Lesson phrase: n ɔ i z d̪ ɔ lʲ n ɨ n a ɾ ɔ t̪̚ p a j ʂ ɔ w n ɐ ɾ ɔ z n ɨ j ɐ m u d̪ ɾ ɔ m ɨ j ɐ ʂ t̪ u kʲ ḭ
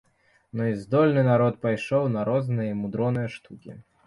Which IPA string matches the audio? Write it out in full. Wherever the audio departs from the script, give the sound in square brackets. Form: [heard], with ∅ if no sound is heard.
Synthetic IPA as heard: n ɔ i z d̪ ɔ lʲ n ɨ n a ɾ ɔ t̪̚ p a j ʂ ɔ w n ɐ ɾ ɔ z n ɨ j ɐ m u d̪ ɾ ɔ [n] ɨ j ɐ ʂ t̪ u kʲ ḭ